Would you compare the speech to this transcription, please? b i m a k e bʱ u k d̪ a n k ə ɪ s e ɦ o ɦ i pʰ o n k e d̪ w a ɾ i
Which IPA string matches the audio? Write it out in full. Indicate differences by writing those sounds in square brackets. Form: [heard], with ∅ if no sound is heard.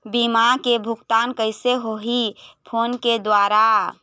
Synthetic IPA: b i m a k e bʱ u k [t̪] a n k ə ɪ s e ɦ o ɦ i pʰ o n k e d̪ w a ɾ [a]

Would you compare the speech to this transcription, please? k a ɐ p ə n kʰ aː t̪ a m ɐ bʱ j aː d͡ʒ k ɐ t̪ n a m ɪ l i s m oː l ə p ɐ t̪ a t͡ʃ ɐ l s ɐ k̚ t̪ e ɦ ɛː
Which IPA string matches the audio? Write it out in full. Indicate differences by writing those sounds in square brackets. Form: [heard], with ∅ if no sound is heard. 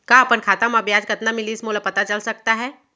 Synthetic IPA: k a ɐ p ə n kʰ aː t̪ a m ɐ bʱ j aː d͡ʒ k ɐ t̪ n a m ɪ l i s m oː l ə p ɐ t̪ a t͡ʃ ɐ l s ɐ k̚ t̪ [a] ɦ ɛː

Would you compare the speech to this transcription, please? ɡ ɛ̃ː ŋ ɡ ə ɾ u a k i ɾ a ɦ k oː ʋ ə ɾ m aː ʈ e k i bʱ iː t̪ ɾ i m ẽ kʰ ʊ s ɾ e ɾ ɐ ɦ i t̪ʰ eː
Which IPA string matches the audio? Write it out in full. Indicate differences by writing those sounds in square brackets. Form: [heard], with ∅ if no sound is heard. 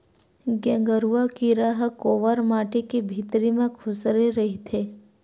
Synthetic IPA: ɡ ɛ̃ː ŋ ɡ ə ɾ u a k i ɾ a ɦ k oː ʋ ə ɾ m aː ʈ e k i bʱ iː t̪ ɾ i m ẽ kʰ ʊ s ɾ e ɾ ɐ ɦ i t̪ʰ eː

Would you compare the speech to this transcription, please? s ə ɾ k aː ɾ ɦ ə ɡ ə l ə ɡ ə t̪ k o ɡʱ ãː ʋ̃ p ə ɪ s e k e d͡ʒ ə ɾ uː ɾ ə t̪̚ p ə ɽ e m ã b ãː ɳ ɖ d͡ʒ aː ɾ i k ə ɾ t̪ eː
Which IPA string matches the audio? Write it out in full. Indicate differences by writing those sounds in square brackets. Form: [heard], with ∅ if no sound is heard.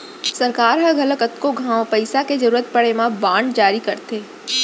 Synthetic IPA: s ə ɾ k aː ɾ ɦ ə ɡ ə l ə ɡ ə t̪ k o ɡʱ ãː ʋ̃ p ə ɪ s [a] k e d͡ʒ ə ɾ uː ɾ ə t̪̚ p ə ɽ e m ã b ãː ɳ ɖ d͡ʒ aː ɾ i k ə ɾ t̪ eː

